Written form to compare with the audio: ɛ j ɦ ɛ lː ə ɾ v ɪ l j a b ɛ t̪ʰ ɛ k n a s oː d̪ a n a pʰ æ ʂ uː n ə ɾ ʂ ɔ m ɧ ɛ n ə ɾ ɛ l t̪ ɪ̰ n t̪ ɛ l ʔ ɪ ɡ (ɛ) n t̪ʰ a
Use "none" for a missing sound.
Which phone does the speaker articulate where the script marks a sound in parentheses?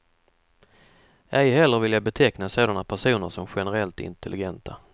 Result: ɛ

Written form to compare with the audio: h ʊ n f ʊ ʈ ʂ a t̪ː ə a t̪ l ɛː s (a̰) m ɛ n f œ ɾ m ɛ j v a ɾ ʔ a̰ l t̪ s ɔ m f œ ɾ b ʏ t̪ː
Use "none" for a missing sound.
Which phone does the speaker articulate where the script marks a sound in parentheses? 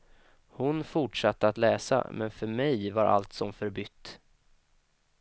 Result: a̰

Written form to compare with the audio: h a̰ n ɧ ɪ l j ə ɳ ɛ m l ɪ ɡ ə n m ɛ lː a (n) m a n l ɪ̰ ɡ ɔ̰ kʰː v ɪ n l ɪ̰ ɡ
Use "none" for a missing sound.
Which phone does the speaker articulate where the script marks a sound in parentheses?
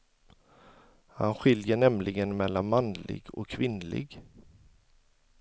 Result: n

